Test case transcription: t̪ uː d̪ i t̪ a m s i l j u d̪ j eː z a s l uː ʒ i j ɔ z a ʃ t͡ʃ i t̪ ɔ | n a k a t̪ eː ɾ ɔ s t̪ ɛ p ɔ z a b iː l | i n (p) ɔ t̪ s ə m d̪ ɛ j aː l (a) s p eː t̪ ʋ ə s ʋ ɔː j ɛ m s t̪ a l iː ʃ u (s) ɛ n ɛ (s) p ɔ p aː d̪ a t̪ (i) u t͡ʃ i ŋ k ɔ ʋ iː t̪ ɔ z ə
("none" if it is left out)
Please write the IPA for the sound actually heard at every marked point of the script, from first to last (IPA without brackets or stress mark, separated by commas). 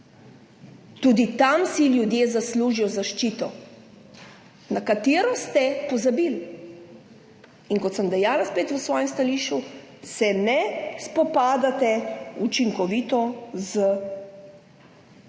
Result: k, a, s, s, ɛ